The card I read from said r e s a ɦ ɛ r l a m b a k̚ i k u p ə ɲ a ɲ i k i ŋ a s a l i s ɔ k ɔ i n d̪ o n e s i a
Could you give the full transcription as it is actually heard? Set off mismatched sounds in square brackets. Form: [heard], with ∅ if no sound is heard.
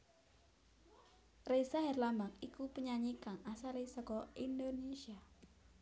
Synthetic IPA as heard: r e s a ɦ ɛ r l a m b a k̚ i k u p ə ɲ a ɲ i k [a] ŋ a s a l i s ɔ k ɔ i n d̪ o n e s i a